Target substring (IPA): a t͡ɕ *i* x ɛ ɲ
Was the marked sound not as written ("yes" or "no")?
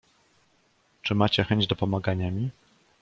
yes